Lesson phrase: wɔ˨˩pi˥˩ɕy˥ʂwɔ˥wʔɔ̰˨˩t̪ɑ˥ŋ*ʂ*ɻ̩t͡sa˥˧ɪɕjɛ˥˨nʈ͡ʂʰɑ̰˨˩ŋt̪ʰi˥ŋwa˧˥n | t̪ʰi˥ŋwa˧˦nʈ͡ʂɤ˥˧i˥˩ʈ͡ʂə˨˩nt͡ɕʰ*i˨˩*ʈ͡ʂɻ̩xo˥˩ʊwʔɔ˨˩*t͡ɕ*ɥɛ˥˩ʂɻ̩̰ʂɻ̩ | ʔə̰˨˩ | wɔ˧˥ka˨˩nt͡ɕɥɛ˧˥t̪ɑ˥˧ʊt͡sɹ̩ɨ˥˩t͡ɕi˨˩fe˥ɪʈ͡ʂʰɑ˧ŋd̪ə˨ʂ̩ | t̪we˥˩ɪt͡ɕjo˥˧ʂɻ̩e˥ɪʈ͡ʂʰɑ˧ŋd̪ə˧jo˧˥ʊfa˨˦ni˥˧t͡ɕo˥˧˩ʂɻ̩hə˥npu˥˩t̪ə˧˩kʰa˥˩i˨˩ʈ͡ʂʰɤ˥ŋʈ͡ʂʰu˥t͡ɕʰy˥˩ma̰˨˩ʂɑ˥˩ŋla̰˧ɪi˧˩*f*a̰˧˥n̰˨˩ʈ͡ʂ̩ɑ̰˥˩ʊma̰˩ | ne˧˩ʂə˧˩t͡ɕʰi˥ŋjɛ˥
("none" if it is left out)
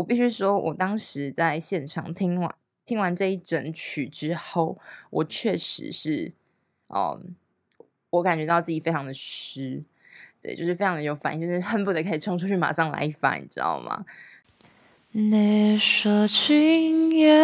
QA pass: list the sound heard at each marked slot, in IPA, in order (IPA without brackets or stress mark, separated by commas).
ʂ, y˨˩, t͡ɕʰ, f